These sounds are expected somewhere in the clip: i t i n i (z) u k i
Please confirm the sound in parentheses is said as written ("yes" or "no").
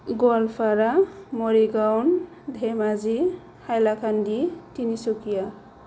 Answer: no